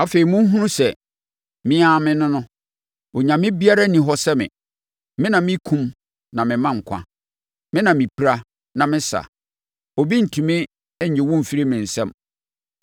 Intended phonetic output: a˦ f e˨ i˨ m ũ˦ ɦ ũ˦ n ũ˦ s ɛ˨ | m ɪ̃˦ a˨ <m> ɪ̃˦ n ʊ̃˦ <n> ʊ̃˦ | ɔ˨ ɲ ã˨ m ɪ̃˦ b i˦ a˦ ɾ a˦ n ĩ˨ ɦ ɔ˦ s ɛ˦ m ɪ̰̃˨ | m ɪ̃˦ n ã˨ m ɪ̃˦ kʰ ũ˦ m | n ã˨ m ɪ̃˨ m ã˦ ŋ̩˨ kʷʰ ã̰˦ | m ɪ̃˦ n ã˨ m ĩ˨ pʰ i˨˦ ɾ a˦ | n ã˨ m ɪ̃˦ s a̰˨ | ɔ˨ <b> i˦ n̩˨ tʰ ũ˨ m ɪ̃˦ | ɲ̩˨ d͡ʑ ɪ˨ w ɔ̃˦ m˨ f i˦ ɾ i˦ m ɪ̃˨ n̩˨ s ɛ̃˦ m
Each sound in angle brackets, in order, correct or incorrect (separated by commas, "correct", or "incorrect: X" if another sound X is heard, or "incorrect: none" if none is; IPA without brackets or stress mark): correct, correct, correct